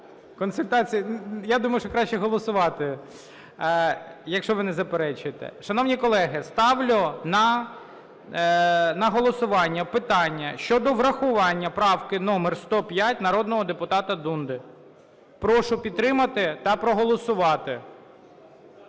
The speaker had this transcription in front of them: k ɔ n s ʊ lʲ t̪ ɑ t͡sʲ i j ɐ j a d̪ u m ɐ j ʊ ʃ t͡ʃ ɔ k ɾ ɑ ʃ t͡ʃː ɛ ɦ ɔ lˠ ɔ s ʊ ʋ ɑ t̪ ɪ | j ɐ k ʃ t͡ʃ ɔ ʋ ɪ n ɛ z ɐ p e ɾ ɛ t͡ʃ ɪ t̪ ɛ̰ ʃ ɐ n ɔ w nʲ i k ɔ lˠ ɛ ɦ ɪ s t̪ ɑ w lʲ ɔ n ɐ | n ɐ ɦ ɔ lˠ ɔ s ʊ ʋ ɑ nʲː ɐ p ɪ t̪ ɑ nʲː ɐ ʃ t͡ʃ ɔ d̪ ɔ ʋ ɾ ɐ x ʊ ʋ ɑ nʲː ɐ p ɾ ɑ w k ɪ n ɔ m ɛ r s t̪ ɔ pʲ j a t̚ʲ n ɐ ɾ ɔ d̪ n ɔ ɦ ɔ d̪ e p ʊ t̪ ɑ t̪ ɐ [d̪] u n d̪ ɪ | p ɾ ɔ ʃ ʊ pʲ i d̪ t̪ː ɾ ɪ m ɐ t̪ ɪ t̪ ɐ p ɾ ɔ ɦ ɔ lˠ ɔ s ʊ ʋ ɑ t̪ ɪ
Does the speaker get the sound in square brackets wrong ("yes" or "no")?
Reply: no